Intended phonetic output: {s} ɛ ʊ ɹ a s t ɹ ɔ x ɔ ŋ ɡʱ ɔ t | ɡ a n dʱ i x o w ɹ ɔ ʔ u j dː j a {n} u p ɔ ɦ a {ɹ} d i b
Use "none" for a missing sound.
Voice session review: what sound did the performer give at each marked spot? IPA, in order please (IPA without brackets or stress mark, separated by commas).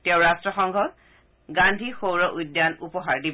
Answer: t, n, ɹ